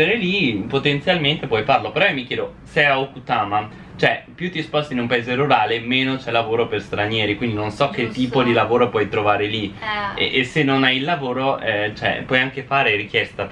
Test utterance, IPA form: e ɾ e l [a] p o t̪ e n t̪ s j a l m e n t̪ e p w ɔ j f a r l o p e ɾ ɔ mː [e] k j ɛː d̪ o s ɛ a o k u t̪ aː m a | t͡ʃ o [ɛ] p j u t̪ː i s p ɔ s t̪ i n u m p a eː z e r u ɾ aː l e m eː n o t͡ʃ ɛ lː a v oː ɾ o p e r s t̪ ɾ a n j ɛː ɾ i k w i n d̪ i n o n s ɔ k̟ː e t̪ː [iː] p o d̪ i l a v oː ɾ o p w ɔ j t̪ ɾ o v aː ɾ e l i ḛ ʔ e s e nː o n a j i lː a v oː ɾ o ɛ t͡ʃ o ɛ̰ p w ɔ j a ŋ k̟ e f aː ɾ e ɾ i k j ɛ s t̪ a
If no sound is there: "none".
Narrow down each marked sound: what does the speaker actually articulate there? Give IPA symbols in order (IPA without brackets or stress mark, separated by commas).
i, i, ɛ, iː